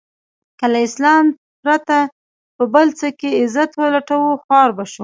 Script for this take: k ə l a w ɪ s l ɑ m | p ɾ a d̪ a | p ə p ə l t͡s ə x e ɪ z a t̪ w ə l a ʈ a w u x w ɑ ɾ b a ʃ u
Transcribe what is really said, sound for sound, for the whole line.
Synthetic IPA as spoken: k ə l a ɪ s l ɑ m | p ɾ a t̪ a | p ə b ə l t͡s ə k e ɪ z a t̪ w ə l a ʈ a w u x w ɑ ɾ b a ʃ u